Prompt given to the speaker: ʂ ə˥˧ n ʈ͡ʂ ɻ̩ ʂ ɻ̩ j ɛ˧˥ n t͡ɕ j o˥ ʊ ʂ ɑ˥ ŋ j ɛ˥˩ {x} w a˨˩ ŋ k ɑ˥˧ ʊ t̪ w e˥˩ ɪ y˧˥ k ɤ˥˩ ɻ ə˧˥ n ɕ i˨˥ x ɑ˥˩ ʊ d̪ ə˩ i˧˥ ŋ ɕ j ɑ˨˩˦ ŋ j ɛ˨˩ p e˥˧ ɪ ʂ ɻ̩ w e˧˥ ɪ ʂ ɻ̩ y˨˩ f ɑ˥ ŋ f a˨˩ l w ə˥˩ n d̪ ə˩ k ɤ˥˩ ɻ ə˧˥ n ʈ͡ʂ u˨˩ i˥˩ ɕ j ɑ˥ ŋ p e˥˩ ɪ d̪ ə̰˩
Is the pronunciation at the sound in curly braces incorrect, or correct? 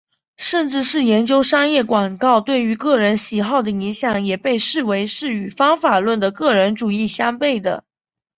incorrect: k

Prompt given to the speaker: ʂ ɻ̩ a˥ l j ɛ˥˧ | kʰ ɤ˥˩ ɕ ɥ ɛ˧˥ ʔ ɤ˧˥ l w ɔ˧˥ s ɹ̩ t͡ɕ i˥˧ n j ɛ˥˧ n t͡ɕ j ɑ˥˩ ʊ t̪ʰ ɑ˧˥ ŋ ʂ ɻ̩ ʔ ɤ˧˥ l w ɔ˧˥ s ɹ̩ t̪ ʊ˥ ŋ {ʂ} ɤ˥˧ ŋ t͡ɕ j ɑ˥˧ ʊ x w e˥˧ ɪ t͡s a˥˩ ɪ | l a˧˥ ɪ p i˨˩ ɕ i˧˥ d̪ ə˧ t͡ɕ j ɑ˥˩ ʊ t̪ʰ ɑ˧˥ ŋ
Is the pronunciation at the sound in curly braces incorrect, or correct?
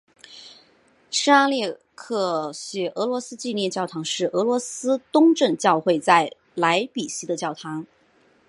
incorrect: ʈ͡ʂ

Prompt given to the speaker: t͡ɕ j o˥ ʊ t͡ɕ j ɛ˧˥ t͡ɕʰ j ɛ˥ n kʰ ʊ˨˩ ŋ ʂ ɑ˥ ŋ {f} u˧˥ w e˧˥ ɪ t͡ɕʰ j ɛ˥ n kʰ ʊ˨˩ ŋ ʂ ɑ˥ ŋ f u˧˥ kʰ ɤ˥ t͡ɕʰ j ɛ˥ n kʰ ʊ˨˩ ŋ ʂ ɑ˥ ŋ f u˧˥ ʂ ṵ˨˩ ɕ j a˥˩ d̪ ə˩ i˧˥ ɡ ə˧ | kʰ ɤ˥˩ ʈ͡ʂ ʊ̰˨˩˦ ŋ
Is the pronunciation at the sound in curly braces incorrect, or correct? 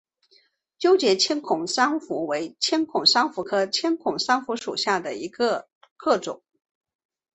correct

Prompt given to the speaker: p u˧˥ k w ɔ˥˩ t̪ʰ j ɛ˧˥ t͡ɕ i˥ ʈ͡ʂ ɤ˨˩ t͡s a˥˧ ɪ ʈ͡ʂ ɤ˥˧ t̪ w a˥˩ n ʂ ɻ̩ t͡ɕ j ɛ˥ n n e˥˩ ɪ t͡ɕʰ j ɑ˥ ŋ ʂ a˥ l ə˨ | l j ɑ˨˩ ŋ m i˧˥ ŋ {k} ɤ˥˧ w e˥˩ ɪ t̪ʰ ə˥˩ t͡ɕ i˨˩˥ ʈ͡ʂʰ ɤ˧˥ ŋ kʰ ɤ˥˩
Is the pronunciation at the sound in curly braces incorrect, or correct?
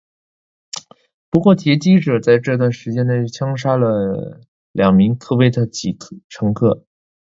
incorrect: kʰ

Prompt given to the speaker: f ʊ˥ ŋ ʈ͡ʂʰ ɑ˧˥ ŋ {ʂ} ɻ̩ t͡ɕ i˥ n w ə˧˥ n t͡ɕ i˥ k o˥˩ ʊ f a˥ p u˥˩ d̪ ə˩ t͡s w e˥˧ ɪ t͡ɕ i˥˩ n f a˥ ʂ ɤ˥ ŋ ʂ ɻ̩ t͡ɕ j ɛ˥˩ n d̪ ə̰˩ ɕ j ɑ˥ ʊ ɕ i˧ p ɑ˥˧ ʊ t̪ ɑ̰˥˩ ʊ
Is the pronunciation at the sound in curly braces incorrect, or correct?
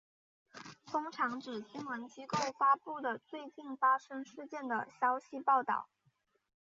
incorrect: ʈ͡ʂ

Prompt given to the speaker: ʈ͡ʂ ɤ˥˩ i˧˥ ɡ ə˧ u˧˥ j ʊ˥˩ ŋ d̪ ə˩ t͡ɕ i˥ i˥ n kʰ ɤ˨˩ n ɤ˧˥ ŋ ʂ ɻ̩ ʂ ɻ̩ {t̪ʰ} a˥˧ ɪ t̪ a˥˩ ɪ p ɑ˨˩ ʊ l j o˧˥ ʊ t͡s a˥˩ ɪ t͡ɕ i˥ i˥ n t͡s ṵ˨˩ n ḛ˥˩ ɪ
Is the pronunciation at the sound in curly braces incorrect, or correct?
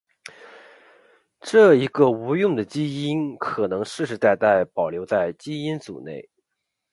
incorrect: t̪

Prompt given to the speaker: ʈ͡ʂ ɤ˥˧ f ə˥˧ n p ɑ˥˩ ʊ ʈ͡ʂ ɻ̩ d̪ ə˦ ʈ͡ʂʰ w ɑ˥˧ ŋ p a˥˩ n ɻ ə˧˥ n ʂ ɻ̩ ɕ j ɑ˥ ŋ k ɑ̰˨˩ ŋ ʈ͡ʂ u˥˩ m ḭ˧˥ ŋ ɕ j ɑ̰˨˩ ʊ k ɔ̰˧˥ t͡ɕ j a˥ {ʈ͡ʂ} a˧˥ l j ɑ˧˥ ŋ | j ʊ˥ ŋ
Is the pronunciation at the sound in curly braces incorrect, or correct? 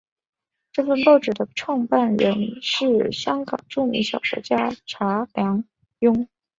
incorrect: ʈ͡ʂʰ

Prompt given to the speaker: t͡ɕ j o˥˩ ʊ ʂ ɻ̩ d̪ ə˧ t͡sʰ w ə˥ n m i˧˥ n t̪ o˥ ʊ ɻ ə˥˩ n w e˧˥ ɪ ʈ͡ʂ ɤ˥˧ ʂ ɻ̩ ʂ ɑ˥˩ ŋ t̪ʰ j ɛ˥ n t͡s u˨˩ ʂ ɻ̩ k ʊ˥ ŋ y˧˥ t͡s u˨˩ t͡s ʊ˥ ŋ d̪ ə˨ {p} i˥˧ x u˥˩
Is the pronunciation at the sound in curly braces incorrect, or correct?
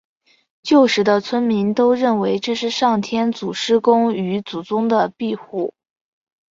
correct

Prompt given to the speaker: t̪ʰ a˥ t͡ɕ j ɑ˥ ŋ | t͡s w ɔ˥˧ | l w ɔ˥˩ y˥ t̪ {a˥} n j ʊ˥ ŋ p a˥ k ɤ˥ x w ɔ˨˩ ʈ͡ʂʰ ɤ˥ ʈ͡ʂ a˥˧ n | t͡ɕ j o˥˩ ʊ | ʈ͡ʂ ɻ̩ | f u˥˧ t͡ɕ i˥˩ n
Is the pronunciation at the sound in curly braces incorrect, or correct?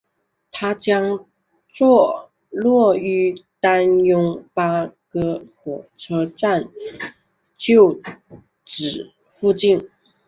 correct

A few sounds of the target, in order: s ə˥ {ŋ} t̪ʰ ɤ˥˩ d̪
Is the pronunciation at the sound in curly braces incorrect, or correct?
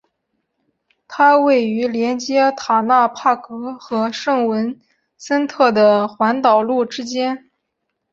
incorrect: n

